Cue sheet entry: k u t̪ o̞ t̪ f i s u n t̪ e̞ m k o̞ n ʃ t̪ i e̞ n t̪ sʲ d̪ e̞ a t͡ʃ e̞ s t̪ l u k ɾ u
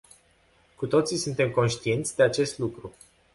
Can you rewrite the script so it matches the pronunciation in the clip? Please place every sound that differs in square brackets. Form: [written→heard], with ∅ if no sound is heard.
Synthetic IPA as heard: k u t̪ o̞ t̪ [f→s] i s u n t̪ e̞ m k o̞ n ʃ t̪ i e̞ n t̪ sʲ d̪ e̞ a t͡ʃ e̞ s t̪ l u k ɾ u